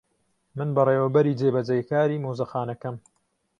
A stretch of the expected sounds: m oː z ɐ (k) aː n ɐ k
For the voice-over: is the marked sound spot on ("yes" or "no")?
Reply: no